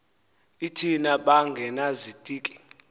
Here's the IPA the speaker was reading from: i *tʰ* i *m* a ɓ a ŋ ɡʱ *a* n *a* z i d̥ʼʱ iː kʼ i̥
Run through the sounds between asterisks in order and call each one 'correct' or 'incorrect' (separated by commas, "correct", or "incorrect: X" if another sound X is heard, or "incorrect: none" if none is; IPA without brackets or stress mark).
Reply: correct, incorrect: n, incorrect: ɛ, correct